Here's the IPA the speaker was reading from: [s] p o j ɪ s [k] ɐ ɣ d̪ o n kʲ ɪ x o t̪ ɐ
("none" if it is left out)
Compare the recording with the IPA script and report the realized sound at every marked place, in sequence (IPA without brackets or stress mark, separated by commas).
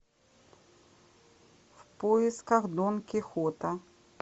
f, k